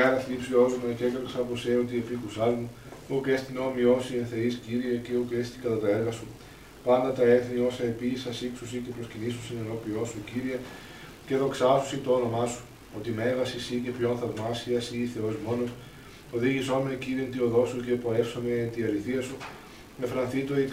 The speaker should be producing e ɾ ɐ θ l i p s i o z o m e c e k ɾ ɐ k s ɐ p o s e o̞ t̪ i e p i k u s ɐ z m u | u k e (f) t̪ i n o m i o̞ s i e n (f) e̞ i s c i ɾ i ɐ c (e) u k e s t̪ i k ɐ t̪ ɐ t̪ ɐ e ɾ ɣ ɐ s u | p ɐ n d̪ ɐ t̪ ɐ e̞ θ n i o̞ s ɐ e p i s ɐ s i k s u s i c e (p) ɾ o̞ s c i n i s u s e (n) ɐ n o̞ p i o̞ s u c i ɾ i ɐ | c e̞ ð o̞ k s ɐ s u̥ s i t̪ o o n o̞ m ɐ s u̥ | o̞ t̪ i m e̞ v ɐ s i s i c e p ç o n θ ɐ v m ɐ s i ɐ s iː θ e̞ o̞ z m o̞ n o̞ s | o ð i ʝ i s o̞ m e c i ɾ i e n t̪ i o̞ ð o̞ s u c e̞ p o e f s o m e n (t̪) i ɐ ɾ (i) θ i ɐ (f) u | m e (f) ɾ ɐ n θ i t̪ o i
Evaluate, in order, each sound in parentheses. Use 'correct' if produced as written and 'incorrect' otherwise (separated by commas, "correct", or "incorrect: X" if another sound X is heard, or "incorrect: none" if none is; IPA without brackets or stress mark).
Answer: incorrect: s, incorrect: θ, correct, correct, correct, correct, correct, incorrect: s, correct